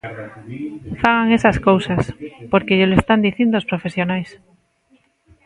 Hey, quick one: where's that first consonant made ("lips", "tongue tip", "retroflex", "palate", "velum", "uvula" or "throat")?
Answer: lips